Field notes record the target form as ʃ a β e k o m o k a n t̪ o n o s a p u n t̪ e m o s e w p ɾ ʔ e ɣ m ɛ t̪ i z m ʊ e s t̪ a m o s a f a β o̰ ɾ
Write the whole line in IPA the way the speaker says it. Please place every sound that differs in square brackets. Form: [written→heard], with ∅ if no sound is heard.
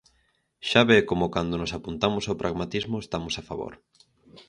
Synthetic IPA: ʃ a β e k o m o k a n [t̪→d̪] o n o s a p u n t̪ [e→a] m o s [e→a] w p ɾ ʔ [e→a] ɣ m [ɛ→a] t̪ i z m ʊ e s t̪ a m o s a f a β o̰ ɾ